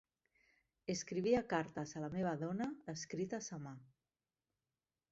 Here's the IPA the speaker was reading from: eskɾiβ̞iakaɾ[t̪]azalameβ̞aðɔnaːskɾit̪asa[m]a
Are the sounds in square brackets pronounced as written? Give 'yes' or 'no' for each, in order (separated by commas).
yes, yes